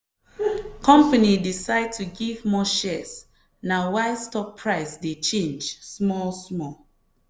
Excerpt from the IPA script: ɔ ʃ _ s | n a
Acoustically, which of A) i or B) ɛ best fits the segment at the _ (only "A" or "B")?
B